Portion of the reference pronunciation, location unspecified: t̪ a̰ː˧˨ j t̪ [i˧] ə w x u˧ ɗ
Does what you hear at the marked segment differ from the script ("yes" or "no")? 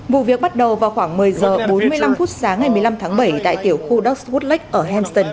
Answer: yes